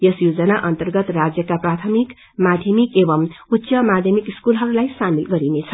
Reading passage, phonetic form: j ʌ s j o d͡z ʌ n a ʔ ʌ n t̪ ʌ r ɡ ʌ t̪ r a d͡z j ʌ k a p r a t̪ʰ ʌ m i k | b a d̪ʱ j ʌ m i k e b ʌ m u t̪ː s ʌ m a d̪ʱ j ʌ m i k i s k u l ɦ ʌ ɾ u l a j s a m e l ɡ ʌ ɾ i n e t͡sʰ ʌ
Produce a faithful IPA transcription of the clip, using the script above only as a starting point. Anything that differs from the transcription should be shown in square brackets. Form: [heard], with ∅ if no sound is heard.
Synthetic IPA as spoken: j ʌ s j o d͡z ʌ n a ʔ ʌ n t̪ ʌ r ɡ ʌ t̪ r a d͡z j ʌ k a p r a t̪ʰ ʌ m i k | [m] a d̪ʱ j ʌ m i k e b ʌ m u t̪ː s ʌ m a d̪ʱ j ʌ m i k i s k u l ɦ ʌ ɾ u l a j s a m [i] l ɡ ʌ ɾ i n e t͡sʰ ʌ